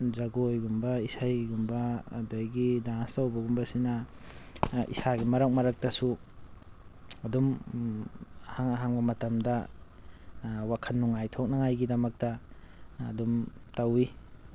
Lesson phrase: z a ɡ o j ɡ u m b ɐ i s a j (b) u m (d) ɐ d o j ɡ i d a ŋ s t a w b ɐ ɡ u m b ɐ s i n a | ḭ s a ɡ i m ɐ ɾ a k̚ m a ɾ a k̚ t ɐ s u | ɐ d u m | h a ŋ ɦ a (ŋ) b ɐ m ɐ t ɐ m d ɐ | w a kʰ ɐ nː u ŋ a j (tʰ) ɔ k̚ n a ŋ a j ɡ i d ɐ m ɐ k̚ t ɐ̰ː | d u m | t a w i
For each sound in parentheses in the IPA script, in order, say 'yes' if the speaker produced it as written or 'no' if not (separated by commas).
no, no, yes, yes